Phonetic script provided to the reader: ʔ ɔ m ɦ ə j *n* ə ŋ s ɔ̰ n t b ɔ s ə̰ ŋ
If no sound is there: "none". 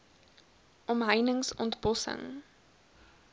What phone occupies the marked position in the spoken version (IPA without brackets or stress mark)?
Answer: n